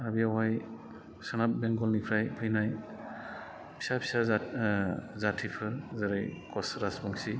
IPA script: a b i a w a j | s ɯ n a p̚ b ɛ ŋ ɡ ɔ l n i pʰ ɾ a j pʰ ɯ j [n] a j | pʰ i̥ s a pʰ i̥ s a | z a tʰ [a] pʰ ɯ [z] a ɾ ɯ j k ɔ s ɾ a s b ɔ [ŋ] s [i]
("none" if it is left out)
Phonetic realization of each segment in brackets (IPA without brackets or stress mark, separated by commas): n, i, z, ŋ, i